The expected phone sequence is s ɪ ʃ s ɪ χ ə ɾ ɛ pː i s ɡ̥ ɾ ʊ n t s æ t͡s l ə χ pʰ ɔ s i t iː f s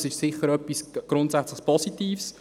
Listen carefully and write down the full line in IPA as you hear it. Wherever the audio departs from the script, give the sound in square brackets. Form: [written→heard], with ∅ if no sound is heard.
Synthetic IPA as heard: s ɪ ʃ s ɪ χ ə ɾ [ɛ→œ] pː i s ɡ̥ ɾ ʊ n t s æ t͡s l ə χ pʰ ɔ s i t iː f s